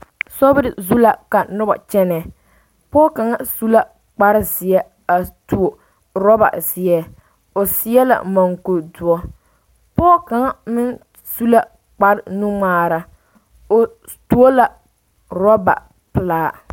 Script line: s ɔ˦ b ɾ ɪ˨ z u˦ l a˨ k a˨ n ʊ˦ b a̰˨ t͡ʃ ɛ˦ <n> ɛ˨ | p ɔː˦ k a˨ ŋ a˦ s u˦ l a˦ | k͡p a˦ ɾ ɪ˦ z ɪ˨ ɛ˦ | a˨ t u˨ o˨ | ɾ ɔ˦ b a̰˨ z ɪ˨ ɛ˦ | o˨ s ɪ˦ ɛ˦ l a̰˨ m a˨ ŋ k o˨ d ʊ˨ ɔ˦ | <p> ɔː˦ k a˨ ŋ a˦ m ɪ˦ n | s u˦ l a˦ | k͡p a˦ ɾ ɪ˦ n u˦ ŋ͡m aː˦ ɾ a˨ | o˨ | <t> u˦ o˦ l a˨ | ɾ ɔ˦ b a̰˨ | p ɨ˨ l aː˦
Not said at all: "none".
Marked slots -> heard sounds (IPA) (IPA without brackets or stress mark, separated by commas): n, p, t